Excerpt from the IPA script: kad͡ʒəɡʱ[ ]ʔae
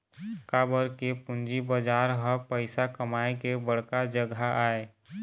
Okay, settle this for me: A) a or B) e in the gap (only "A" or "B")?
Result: A